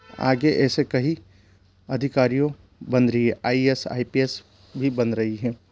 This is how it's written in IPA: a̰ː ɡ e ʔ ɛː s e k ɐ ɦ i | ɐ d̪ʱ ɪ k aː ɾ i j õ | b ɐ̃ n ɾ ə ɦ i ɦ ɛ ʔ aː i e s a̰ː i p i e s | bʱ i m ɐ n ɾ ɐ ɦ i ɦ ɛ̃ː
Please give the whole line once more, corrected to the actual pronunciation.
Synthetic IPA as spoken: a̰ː ɡ e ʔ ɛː s e k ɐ ɦ i | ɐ d̪ʱ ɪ k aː ɾ i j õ | b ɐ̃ n ɾ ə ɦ i ɦ ɛ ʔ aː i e s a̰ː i p i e s | bʱ i b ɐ n ɾ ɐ ɦ i ɦ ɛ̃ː